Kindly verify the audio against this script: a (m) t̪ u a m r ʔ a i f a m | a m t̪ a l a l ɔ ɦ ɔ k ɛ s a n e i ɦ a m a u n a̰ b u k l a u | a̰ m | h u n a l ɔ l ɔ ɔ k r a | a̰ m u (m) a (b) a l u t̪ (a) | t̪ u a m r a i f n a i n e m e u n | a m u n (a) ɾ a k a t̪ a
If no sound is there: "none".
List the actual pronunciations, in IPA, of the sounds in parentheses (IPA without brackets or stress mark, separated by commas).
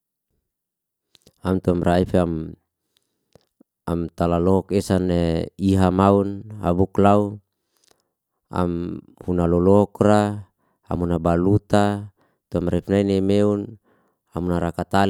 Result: m, n, b, a, a